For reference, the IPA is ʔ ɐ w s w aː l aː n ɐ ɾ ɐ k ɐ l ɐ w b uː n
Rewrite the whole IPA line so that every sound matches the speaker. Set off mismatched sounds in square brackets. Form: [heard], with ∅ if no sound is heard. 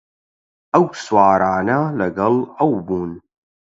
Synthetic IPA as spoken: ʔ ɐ w s w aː [ɾ] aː n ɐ [l] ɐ [ɡ] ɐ l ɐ w b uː n